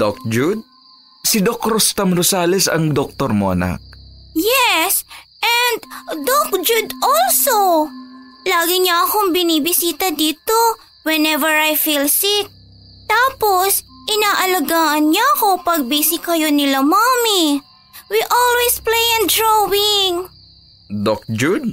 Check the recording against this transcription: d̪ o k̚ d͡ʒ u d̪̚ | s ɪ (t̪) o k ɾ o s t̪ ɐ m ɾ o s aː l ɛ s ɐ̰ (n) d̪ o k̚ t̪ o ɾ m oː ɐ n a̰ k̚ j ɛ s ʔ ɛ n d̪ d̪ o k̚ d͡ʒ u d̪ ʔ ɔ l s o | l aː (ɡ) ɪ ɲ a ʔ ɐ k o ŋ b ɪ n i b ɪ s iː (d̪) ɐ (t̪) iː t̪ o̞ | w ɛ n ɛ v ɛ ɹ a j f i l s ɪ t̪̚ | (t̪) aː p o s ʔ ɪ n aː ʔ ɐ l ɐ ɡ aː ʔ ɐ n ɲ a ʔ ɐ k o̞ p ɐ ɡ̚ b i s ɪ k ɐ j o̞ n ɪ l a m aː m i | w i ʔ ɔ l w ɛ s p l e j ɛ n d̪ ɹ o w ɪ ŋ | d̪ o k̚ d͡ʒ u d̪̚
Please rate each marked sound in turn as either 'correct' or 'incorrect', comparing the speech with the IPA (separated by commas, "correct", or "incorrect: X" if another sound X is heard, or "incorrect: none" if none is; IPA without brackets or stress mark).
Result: incorrect: d̪, incorrect: ŋ, correct, incorrect: t̪, incorrect: d̪, correct